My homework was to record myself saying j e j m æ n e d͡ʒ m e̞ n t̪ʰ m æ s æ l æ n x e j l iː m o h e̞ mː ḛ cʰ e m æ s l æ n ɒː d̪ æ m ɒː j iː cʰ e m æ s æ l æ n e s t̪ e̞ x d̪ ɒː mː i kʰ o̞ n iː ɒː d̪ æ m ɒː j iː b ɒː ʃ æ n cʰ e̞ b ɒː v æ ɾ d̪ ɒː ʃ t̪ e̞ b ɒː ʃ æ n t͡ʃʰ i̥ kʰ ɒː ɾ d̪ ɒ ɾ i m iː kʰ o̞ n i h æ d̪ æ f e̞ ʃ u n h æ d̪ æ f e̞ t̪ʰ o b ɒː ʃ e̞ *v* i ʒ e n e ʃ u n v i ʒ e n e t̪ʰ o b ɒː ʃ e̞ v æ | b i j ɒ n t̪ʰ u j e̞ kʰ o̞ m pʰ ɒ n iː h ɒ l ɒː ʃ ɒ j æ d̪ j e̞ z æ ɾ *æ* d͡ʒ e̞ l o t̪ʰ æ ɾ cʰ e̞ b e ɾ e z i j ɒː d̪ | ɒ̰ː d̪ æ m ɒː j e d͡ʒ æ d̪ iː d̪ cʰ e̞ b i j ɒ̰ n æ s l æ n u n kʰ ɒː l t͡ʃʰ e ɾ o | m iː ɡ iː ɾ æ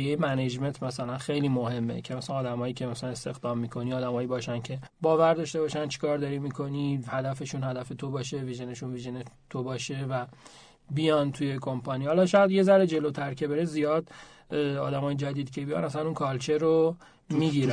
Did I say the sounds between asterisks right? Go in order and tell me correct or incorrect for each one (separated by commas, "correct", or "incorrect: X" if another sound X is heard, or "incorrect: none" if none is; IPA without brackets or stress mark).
correct, incorrect: e